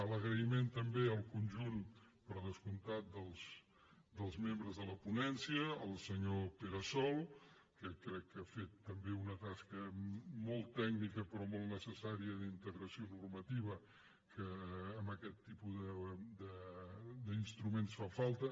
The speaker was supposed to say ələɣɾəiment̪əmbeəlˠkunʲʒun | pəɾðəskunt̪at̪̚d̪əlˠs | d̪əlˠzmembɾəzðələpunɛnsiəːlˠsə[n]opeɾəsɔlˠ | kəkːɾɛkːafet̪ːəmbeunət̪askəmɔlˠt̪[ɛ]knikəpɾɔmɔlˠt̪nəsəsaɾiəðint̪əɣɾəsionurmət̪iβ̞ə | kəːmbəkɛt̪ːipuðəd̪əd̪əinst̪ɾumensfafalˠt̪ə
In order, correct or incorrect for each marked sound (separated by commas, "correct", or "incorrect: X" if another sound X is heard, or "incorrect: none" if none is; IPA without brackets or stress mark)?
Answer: incorrect: ɲ, correct